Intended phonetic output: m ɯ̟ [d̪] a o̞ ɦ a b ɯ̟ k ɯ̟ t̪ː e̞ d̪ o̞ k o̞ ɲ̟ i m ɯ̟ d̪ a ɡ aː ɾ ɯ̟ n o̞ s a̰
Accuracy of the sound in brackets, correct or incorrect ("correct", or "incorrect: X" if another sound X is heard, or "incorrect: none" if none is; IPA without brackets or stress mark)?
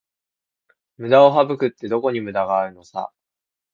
correct